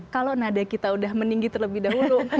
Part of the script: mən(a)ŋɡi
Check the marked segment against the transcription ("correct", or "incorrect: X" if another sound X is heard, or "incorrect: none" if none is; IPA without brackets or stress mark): incorrect: i